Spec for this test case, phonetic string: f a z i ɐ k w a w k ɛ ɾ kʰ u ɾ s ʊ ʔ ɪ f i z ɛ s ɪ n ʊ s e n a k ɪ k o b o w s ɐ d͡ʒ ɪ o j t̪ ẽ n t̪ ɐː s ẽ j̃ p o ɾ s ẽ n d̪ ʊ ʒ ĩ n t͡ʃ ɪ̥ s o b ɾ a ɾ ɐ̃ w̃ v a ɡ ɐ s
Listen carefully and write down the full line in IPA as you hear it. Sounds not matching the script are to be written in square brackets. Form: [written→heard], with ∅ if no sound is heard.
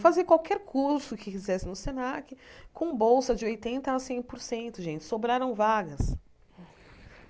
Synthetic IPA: f a z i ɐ k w a w k ɛ ɾ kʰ u ɾ s ʊ [ʔ→k] ɪ f i z ɛ s ɪ n ʊ s e n a k ɪ k [o→õ] b o w s ɐ d͡ʒ ɪ o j t̪ ẽ n t̪ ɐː s ẽ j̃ p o ɾ s ẽ n [d̪→t̪] ʊ ʒ [ĩ→ẽ] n t͡ʃ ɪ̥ s o b ɾ a ɾ ɐ̃ w̃ v a ɡ ɐ s